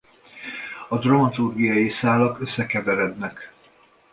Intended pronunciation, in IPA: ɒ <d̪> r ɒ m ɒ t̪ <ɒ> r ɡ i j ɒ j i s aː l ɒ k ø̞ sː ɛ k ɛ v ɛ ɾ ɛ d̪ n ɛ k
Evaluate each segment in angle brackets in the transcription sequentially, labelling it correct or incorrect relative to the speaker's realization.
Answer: correct, incorrect: u

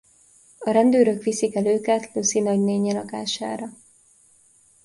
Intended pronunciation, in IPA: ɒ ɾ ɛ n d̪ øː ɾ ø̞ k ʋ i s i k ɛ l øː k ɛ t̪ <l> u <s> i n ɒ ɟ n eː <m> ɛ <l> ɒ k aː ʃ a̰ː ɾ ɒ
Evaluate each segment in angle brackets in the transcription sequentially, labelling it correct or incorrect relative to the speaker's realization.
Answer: correct, correct, incorrect: ɲ, correct

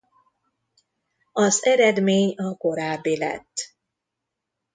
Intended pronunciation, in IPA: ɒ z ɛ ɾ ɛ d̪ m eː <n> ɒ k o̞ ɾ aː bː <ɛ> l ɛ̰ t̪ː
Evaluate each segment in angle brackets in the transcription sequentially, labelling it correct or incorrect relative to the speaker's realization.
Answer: incorrect: ɲ, incorrect: i

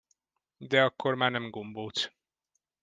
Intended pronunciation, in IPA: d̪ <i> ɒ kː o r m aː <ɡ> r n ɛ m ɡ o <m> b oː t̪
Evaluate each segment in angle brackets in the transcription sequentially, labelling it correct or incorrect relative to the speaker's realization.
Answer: incorrect: ɛ, incorrect: none, correct

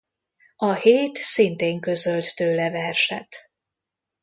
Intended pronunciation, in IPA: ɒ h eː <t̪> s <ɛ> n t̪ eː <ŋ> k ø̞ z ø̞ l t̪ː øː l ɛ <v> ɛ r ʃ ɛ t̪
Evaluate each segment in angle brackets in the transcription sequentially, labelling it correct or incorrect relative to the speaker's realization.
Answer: correct, incorrect: i, correct, correct

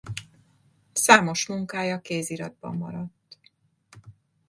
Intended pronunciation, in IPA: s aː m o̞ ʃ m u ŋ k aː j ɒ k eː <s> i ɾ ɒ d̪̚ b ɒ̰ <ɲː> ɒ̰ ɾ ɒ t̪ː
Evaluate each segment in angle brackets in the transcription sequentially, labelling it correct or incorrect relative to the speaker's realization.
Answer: incorrect: z, incorrect: mː

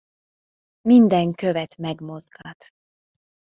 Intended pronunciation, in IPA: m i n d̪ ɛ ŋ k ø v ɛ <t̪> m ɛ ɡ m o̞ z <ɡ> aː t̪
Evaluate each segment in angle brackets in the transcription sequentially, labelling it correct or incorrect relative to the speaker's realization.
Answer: correct, correct

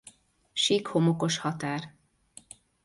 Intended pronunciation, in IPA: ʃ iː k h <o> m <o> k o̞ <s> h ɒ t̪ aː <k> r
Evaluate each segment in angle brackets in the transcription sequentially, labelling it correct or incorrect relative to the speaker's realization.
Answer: correct, correct, incorrect: ʃ, incorrect: none

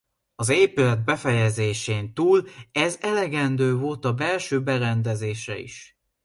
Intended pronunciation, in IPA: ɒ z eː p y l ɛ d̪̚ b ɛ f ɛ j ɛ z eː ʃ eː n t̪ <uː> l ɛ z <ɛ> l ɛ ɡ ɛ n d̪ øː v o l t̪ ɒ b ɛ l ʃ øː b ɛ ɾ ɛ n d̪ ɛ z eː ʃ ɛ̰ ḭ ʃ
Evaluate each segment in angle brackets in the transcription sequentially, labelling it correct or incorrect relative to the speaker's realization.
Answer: correct, correct

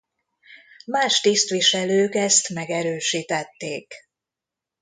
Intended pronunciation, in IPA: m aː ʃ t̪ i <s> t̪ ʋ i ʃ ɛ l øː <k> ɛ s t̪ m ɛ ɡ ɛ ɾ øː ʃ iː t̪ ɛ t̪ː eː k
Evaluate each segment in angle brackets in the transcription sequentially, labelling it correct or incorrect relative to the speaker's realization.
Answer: correct, correct

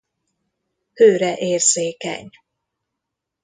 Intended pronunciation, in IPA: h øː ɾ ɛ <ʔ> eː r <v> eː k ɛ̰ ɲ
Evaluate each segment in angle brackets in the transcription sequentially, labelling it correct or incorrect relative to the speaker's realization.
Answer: correct, incorrect: z

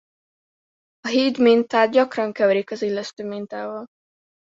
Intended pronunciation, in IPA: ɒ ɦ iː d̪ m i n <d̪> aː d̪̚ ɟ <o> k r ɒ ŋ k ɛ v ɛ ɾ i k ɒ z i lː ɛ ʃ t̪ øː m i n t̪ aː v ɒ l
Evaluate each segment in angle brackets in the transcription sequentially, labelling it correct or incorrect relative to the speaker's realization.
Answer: incorrect: t̪, incorrect: ɒ

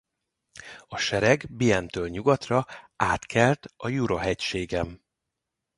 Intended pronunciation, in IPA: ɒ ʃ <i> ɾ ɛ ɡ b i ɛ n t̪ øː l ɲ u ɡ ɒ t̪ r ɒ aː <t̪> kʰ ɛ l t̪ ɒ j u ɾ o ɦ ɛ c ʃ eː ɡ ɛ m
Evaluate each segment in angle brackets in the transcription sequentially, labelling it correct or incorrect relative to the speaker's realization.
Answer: incorrect: ɛ, correct

